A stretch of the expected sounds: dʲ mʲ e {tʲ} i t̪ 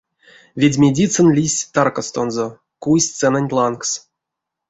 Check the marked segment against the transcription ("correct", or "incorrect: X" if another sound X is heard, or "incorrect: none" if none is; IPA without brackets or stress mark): incorrect: dʲ